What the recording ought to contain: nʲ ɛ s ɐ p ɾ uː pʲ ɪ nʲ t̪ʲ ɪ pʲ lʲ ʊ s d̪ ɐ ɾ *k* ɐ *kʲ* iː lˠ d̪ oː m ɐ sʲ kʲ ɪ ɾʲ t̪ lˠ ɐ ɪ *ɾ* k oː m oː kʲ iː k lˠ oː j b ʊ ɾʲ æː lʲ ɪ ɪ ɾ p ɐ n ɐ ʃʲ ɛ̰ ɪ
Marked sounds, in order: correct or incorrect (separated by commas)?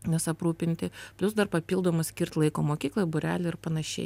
incorrect, incorrect, incorrect